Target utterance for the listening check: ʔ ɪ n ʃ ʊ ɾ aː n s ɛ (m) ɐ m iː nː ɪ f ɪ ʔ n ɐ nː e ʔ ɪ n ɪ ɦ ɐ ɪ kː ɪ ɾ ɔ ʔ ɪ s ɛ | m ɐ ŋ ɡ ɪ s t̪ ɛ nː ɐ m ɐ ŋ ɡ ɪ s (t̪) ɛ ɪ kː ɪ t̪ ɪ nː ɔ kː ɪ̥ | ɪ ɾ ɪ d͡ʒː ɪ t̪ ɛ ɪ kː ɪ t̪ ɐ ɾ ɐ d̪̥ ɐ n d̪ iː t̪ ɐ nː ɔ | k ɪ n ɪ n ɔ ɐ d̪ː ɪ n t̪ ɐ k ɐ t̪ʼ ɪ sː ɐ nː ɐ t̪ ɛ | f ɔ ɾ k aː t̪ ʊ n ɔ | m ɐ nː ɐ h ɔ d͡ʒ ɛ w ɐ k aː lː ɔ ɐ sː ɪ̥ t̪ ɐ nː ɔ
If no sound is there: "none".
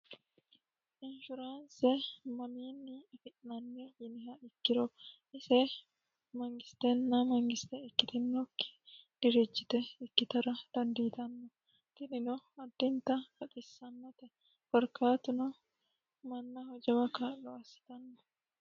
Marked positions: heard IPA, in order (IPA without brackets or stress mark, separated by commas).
m, t̪